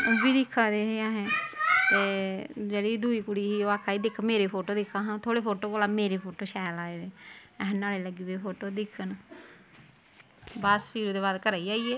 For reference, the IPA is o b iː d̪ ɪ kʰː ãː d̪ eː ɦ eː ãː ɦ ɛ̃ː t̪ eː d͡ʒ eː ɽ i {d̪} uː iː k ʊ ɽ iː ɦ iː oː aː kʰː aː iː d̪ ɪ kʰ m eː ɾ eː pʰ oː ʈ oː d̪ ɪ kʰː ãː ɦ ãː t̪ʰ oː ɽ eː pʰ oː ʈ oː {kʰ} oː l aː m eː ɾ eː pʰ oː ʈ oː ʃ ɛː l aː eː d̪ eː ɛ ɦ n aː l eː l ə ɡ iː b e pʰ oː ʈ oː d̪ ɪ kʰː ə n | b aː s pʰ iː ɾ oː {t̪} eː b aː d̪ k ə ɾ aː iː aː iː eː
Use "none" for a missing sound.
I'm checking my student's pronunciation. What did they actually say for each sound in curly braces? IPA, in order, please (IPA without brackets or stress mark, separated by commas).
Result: d̪, k, d̪